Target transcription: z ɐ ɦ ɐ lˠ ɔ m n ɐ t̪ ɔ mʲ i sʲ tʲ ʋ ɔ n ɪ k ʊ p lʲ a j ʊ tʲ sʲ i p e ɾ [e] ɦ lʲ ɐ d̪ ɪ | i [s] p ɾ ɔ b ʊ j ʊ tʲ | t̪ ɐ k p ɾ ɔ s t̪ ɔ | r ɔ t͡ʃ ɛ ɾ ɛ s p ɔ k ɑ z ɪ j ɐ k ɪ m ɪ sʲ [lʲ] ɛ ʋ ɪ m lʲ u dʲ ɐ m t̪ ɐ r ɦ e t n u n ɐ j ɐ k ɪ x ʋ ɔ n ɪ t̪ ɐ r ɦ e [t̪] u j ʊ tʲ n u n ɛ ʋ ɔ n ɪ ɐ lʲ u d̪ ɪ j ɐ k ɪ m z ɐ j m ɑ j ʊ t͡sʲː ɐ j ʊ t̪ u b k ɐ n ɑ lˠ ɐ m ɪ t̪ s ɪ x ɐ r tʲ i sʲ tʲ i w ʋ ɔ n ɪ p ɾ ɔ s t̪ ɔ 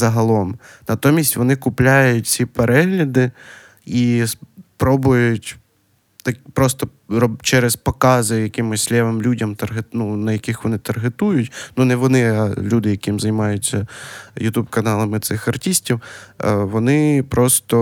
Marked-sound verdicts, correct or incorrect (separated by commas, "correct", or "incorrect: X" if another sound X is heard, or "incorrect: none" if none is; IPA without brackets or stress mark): incorrect: ɛ, correct, correct, correct